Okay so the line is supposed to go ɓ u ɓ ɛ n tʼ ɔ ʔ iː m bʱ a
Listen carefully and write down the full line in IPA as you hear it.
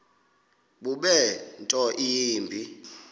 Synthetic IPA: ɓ u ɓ ɛ n tʼ ɔ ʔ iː m bʱ i